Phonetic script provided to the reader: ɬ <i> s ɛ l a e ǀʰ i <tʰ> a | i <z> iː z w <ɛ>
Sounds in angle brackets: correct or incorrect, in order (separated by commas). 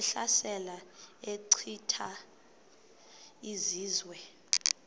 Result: incorrect, correct, correct, correct